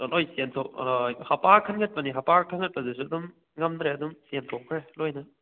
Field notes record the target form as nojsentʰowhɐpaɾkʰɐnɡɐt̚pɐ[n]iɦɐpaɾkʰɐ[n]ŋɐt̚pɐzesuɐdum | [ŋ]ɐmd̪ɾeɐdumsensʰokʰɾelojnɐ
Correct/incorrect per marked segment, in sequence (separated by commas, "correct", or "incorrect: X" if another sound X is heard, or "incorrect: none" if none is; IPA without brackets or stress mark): correct, correct, correct